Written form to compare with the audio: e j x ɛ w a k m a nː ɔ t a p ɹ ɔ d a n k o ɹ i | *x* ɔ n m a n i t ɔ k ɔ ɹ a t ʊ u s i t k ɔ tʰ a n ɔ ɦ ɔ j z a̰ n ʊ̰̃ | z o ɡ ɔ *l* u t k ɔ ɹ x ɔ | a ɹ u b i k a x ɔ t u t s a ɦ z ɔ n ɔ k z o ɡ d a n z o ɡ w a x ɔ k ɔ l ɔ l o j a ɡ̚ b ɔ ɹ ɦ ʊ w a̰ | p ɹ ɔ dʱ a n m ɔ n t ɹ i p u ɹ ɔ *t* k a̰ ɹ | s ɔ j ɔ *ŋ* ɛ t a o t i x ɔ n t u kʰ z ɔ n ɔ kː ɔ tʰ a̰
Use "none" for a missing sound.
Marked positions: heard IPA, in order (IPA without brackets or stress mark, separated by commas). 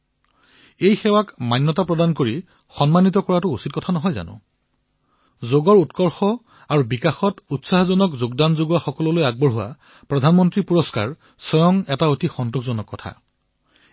x, ɹ, s, ŋ